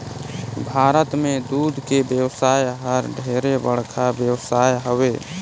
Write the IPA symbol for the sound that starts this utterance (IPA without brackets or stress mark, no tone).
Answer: bʱ